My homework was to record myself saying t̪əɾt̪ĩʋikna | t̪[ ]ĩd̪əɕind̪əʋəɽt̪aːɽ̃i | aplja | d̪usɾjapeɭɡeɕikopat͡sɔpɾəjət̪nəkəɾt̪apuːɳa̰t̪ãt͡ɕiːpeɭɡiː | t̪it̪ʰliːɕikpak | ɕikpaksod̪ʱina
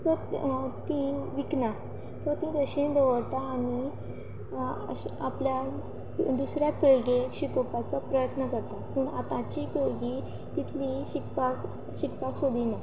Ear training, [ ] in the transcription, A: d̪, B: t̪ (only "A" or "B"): B